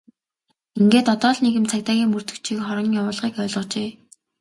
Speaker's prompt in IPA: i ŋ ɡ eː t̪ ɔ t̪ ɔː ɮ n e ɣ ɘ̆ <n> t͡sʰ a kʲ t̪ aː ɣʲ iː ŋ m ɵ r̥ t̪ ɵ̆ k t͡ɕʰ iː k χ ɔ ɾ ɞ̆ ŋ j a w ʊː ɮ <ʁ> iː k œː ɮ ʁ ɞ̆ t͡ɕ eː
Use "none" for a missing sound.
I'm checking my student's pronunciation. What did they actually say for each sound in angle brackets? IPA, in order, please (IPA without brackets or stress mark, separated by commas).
m, ʁ